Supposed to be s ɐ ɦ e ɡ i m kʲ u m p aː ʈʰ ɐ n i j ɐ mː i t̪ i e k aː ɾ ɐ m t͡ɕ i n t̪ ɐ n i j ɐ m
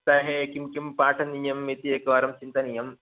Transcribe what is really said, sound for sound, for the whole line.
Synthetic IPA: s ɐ ɦ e k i m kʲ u m p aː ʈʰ ɐ n i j ɐ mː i t̪ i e k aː ɾ ɐ m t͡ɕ i n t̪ ɐ n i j ɐ m